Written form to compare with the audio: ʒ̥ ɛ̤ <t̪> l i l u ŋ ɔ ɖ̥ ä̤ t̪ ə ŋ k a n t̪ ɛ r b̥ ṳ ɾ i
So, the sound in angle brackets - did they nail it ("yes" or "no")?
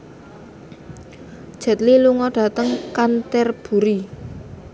yes